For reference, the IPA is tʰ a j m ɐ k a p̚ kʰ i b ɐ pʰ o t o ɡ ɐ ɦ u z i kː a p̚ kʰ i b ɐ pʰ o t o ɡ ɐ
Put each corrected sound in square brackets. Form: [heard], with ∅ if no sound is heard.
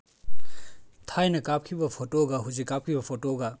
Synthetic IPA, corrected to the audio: tʰ a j [n] ɐ k a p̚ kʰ i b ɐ pʰ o t o ɡ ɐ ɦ u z i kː a p̚ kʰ i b ɐ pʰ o t o ɡ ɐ